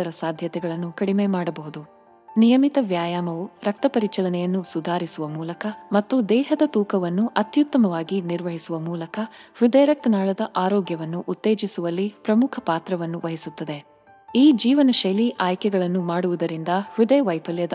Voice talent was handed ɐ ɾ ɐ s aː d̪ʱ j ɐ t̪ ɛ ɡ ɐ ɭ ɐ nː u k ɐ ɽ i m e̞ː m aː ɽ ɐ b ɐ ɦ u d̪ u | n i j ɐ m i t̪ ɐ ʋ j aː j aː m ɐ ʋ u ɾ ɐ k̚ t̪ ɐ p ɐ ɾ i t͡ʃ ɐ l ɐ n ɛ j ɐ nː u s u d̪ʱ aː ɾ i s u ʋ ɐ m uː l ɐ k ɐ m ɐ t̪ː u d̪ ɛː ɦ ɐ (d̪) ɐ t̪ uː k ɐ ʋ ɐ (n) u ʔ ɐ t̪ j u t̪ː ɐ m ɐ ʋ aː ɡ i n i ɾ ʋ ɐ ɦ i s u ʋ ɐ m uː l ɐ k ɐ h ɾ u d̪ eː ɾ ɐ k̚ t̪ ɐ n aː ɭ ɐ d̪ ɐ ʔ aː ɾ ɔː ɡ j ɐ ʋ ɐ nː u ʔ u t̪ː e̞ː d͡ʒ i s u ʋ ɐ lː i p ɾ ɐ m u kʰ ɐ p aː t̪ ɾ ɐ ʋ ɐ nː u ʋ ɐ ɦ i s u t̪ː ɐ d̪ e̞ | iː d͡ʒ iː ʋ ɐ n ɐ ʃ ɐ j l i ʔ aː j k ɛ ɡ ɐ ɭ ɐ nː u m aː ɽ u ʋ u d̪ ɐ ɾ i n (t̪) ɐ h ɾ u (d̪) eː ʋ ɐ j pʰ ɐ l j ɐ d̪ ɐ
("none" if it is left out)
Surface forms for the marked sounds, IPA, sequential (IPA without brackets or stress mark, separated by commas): d̪, nː, d̪, d̪